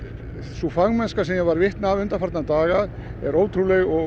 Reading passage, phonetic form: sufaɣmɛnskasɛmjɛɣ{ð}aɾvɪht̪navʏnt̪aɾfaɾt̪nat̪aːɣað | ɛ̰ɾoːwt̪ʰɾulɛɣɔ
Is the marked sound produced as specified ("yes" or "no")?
no